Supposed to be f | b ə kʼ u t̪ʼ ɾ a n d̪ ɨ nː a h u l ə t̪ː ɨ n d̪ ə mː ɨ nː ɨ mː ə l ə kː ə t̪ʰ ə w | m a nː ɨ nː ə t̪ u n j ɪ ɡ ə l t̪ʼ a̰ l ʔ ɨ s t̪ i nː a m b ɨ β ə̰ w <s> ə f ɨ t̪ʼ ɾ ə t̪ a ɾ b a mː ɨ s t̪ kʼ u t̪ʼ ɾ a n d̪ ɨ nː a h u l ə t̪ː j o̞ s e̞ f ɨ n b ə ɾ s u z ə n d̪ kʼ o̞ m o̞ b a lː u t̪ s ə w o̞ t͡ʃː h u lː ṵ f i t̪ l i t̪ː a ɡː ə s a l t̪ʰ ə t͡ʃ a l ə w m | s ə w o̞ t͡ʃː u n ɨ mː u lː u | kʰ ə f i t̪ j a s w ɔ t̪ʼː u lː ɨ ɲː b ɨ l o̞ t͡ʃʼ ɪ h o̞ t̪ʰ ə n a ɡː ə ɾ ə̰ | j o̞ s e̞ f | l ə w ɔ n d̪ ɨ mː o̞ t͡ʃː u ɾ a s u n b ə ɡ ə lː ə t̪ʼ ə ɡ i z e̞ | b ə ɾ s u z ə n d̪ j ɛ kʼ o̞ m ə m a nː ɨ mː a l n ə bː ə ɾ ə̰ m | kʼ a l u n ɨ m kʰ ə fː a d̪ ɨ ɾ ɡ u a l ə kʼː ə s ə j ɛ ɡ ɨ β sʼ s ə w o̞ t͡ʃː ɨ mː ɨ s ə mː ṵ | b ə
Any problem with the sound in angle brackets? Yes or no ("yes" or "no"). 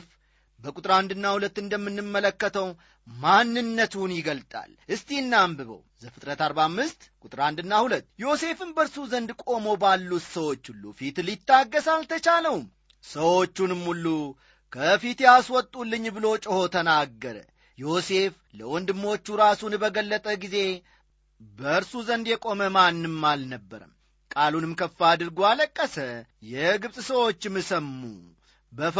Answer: yes